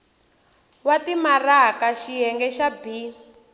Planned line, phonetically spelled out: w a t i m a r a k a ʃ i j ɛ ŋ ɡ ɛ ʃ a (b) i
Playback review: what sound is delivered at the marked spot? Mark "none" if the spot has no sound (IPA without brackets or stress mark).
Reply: b